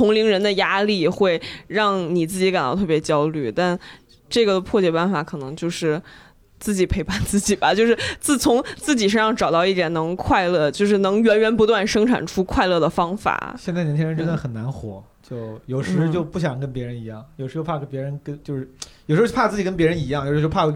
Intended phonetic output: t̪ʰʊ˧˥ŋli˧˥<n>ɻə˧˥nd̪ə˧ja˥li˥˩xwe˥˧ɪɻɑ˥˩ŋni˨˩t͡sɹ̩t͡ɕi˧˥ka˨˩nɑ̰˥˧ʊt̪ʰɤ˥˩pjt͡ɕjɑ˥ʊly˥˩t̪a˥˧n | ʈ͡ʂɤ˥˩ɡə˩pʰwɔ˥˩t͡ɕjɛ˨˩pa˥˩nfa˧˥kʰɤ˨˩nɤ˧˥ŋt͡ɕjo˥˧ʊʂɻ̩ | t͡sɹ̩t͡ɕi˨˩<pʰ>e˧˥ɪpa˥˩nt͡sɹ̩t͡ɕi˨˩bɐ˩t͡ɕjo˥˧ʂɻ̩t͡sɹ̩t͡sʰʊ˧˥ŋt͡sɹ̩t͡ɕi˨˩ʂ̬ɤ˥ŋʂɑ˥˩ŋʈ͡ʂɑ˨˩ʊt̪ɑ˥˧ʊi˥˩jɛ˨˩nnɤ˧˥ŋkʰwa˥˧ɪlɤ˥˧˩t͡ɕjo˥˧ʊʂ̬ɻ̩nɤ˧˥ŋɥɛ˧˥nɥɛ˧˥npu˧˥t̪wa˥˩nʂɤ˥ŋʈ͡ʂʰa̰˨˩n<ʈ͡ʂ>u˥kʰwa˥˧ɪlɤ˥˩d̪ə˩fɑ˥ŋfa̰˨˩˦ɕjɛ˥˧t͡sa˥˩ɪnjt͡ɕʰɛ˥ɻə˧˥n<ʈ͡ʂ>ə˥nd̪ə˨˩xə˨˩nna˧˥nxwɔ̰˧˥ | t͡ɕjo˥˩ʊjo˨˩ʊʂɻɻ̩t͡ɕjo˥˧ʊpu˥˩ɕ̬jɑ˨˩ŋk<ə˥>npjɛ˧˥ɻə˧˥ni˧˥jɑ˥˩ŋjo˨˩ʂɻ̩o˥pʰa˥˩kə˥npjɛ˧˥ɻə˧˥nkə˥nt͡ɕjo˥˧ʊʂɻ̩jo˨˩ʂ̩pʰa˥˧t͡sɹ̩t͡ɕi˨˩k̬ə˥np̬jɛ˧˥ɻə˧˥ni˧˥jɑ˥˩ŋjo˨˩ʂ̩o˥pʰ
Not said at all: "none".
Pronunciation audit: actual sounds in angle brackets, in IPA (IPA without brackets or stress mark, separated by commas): ŋ, pʰ, ʈ͡ʂʰ, ʈ͡ʂ, ə˥